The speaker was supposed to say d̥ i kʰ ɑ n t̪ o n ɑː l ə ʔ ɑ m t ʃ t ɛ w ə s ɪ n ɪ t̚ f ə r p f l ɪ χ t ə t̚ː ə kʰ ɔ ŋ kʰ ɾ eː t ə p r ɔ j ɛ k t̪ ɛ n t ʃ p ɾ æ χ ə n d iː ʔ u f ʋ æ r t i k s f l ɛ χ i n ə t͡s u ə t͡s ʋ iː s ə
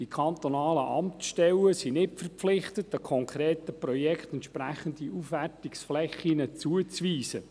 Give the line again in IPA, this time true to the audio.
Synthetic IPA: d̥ i kʰ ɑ n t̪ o n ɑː l ə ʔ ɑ m t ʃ t ɛ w ə s i n ɪ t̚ f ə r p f l ɪ χ t ə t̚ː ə kʰ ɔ ŋ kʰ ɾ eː t ə p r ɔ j ɛ k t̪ ɛ n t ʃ p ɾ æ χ ə n d i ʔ u f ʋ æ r t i k s f l ɛ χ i n ə t͡s u ə t͡s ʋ iː s ə

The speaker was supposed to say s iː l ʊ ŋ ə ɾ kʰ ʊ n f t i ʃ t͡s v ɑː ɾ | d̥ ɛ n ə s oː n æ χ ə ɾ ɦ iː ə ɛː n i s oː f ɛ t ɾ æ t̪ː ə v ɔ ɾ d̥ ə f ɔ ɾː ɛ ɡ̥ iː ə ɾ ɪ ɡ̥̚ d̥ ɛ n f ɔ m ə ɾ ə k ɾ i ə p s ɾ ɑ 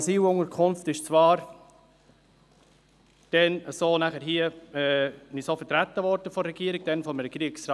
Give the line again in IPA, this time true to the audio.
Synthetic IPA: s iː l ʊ ŋ ə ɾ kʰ ʊ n f t ɪ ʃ t͡s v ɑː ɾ | d̥ ɛ n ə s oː n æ χ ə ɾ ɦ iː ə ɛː n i s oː f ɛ t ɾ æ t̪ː ə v ɔ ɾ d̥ ə f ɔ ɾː ɛ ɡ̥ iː ə ɾ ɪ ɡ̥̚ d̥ ɛ n f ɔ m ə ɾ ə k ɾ i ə k s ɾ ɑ

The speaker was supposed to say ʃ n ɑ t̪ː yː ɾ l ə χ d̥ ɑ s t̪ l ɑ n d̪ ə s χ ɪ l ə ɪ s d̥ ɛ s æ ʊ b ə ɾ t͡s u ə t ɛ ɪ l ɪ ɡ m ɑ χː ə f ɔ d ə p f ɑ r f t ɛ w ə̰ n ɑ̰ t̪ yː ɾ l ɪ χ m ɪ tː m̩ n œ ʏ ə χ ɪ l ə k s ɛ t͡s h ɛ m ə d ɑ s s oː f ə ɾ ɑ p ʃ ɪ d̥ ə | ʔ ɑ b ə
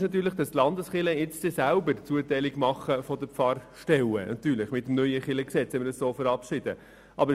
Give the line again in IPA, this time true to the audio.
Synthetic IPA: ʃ n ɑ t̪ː yː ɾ l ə χ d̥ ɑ s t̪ l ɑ n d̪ ə s χ ɪ l ə ɪ t͡s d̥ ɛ s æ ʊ b ə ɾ t͡s u ə t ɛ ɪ l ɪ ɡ m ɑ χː ə f ɔ d ə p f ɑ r ʃ t ɛ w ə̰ n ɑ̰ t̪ yː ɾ l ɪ χ m ɪ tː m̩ n œ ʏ ə χ ɪ l ə k s ɛ t͡s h ɛ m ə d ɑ s s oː f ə ɾ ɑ p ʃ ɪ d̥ ə | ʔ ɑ b ə

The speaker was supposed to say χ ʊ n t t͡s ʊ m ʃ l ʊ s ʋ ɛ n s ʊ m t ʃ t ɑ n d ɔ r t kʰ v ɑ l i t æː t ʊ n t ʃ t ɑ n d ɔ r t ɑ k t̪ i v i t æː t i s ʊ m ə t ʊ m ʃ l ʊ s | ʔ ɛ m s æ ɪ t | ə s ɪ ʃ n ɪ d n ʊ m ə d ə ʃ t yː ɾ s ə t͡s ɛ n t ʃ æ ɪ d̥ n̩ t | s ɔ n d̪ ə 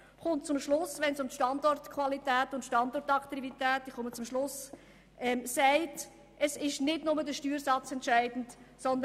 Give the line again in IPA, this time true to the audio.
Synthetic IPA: χ ʊ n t t͡s ʊ m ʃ l ʊ s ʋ ɛ n s ʊ m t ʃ t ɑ n d ɔ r t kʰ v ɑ l i t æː t ʊ n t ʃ t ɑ n d ɔ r t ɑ k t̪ i v i t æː t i χ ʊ m ə t͡s ʊ m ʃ l ʊ s | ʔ ɛ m s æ ɪ t | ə s ɪ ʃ n ɪ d n ʊ m ə d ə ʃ t yː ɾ s ɑ t͡s ɛ n t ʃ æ ɪ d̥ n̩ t | s ɔ n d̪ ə

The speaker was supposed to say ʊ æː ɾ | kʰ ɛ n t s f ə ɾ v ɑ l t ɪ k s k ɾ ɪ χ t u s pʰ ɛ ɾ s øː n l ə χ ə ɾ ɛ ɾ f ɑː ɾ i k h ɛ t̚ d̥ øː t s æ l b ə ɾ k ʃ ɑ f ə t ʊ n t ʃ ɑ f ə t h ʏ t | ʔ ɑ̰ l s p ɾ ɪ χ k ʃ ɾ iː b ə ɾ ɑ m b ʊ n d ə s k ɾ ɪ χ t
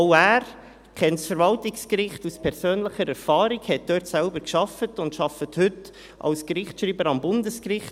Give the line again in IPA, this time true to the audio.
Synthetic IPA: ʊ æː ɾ | kʰ ɛ n t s f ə ɾ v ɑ l t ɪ k s k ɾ ɪ χ t u s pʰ ɛ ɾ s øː n l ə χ ə ɾ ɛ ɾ f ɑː ɾ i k h ɛ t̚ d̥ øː t s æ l b ə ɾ k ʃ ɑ f ə t ʊ n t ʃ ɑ f ə t h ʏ t | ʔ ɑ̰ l s k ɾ ɪ χ t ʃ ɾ iː b ə ɾ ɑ m b ʊ n d ə s k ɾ ɪ χ t

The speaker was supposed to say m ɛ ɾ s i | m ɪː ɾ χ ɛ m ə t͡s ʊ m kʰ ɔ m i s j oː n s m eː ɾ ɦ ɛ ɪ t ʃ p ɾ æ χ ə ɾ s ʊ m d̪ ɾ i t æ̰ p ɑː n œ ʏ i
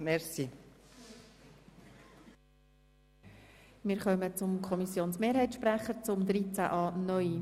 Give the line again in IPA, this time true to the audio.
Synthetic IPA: m ɛ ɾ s i | m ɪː ɾ χ œ m ə t͡s ʊ m kʰ ɔ m i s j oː n s m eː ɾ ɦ ɛ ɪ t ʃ p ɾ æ χ ə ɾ t͡s ʊ m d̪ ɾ i t͡s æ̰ ʔ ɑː n œ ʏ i

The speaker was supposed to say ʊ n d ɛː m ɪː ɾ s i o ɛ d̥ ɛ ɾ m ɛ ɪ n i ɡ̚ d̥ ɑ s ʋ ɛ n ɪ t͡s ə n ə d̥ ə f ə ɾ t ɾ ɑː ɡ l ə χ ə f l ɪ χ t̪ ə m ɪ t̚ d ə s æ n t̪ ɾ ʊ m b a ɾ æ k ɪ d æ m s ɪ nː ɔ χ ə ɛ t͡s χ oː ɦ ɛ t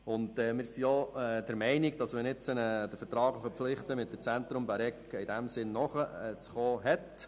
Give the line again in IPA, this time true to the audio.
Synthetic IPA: ʊ n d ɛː m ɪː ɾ s i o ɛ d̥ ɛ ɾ m ɛ ɪ n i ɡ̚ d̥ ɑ s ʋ ɛ n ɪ t͡s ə n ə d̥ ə f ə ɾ t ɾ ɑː ɡ l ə χ ə f l ɪ χ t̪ ə m ɪ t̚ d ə t͡s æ n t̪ ɾ ʊ m b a ɾ ɛ k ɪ d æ m s ɪ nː ɔ χ ə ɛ t͡s χ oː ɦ ɛ t

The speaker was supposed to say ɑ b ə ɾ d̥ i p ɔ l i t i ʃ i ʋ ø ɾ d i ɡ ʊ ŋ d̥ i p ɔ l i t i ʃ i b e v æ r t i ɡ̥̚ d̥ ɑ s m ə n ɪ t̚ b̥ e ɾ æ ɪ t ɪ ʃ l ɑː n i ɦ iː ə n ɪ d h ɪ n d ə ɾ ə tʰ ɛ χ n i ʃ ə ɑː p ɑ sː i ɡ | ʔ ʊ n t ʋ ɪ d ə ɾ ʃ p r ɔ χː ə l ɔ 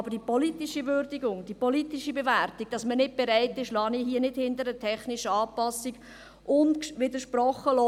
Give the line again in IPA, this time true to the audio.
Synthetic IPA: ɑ b ə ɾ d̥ i p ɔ l i t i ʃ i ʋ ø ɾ d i ɡ ʊ ŋ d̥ i p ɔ l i t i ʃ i b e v æ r t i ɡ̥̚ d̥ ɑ s m ə n ɪ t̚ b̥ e ɾ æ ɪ t ɪ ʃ l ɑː n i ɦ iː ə n ɪ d h ɪ n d ə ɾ ə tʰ ɛ χ n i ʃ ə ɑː p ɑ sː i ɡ | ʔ ʊ n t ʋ ɪ d ə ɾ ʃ p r ɔ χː ə l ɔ

